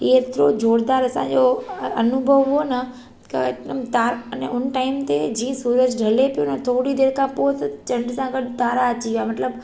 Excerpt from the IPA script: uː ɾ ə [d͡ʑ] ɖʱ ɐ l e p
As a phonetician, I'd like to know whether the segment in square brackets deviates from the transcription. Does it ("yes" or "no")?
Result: no